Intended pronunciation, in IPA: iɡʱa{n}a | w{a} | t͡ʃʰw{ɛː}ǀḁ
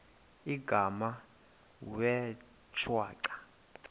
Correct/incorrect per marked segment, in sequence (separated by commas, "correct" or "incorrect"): incorrect, incorrect, incorrect